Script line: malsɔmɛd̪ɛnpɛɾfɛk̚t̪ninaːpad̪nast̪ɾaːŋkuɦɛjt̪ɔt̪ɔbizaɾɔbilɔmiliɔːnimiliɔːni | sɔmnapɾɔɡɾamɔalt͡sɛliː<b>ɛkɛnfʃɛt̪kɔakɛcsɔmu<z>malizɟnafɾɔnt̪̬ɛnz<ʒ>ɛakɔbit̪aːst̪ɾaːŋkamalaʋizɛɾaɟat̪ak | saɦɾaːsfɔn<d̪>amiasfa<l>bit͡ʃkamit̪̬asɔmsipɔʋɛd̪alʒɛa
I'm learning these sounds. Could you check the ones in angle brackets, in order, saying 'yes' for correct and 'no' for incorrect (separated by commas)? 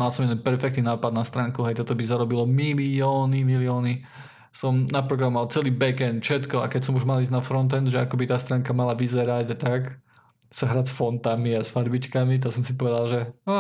yes, no, yes, no, no